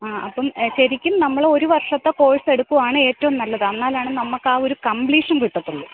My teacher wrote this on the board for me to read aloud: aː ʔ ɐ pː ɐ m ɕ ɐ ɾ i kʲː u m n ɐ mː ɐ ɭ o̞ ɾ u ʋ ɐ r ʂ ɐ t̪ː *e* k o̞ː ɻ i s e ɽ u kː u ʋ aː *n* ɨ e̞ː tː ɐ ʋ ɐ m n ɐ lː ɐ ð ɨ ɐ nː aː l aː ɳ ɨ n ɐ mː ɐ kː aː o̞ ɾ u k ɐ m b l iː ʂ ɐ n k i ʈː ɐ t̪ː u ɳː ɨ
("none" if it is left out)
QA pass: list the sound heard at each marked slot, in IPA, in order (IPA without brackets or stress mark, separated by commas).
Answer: e, ɳ